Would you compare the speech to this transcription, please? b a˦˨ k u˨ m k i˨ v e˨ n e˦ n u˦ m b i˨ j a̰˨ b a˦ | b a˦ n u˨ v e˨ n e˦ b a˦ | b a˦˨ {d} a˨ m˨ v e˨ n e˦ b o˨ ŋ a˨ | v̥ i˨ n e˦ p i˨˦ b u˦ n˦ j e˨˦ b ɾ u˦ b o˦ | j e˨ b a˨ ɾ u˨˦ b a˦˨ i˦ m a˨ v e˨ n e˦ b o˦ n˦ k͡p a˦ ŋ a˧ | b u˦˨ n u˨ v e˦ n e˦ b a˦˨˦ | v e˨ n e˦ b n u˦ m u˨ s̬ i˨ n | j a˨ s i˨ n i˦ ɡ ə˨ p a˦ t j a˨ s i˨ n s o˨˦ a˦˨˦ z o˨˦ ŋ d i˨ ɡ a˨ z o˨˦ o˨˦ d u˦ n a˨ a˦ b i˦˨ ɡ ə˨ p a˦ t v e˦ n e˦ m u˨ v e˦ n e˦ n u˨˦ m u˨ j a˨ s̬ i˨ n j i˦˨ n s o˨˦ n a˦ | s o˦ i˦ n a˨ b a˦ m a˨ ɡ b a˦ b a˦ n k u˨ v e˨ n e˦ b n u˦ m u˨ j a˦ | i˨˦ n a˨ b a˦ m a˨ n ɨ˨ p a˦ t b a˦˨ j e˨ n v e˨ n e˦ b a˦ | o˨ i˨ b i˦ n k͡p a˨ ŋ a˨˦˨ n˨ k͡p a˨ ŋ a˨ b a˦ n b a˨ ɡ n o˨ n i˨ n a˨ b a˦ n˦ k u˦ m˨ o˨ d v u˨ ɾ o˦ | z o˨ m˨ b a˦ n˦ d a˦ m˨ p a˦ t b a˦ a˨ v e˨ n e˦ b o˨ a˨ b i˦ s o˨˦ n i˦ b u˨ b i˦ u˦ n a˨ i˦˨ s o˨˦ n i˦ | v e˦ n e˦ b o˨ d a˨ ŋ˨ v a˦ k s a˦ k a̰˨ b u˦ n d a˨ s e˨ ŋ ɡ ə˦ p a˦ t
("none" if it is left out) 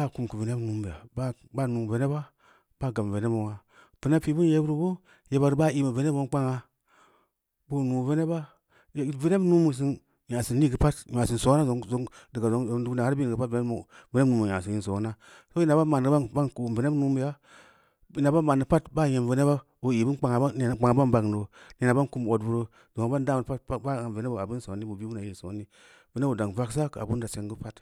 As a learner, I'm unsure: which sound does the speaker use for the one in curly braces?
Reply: ɡ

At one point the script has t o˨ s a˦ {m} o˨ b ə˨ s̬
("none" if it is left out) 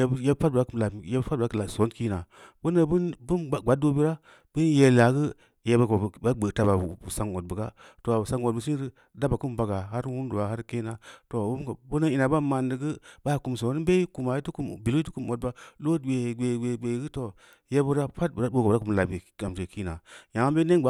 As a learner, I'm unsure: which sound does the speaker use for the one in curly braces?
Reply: ŋ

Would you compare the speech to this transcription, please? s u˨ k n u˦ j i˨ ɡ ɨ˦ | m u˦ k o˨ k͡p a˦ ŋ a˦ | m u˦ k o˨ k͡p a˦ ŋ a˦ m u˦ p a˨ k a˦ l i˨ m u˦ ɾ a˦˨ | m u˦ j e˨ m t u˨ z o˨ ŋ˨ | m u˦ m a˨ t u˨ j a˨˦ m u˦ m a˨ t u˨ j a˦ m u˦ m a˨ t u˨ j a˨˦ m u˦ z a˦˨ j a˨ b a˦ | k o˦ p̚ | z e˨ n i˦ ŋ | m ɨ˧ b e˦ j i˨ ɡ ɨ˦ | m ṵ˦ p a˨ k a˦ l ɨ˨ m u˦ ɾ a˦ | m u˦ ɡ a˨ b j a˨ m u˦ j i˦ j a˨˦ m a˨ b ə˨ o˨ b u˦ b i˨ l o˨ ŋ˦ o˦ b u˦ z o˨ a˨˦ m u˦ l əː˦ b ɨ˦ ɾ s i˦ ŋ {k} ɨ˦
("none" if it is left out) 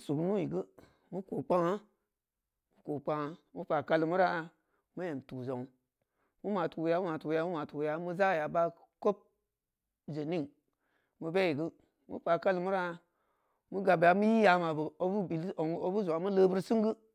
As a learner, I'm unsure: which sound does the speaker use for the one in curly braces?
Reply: ɡ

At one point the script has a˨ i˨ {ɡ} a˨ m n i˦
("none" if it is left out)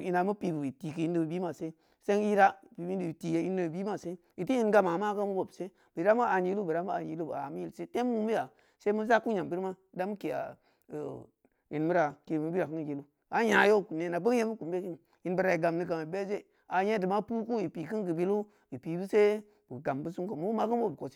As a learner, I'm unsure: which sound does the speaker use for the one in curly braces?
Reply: ɡ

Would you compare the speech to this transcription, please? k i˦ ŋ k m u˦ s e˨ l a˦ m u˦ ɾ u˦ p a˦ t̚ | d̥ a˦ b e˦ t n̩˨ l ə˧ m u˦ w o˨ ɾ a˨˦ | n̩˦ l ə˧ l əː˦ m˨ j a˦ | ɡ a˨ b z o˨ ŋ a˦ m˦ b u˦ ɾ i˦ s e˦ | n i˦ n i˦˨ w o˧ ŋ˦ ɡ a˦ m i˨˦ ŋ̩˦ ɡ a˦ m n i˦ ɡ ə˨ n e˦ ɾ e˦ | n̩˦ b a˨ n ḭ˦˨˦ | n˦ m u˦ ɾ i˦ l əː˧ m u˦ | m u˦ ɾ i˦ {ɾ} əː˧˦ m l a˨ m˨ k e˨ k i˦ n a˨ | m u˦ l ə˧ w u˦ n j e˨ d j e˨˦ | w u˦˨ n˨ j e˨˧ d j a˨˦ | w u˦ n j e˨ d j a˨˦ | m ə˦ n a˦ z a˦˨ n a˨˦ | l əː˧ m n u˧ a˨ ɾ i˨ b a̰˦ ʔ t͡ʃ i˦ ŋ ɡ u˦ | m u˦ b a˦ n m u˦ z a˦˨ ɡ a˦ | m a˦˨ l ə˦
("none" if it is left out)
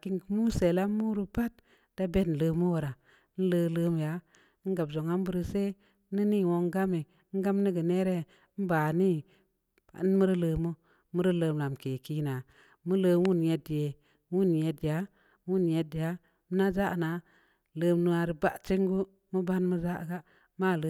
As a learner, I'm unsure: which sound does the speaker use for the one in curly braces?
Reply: l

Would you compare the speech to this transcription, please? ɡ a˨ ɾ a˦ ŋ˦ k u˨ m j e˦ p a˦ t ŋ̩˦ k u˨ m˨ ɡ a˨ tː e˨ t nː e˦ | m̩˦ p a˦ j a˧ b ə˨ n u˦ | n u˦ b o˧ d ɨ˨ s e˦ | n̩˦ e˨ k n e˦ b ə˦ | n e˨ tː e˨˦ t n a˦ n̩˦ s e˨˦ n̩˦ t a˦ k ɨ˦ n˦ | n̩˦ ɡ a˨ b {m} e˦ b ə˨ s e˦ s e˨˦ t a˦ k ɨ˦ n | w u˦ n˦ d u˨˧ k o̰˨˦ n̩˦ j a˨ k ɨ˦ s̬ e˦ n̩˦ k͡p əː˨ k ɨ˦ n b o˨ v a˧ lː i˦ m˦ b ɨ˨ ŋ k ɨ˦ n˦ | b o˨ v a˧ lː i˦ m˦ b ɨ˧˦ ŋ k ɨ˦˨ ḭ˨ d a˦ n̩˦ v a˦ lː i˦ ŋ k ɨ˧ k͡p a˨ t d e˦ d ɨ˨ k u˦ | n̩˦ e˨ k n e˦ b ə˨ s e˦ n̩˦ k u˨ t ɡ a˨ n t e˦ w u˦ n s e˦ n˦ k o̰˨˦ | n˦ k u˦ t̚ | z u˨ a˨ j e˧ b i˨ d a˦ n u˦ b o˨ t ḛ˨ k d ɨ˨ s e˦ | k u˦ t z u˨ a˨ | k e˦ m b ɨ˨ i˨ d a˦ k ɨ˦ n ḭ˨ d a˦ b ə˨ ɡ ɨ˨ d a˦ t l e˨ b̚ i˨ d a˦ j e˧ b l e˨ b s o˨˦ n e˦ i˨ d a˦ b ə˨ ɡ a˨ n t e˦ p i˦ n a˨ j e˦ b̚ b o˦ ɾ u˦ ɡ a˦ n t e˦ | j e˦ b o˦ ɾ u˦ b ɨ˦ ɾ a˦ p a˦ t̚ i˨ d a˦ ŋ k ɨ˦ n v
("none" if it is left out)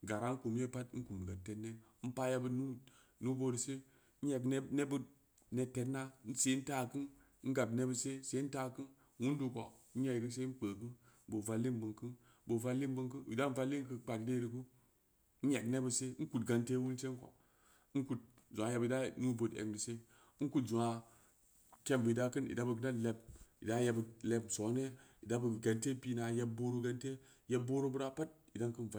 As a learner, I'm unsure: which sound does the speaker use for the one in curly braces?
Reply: n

